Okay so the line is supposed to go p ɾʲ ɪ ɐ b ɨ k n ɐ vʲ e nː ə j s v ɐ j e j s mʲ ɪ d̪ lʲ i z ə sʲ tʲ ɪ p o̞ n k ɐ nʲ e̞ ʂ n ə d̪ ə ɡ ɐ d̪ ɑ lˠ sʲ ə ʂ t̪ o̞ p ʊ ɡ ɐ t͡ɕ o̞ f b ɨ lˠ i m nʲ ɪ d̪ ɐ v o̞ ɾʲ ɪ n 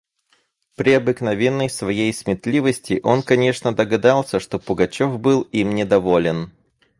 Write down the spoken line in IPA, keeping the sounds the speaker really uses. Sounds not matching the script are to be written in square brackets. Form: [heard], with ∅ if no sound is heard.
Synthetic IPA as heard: p ɾʲ ɪ ɐ b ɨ k n ɐ vʲ e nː ə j s v ɐ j e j s mʲ ɪ [t̪] lʲ i [v] ə sʲ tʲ ɪ [ʔ] o̞ n k ɐ nʲ e̞ ʂ n ə d̪ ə ɡ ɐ d̪ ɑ lˠ sʲ ə ʂ t̪ o̞ p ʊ ɡ ɐ t͡ɕ o̞ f b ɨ lˠ i m nʲ ɪ d̪ ɐ v o̞ [lʲ] ɪ n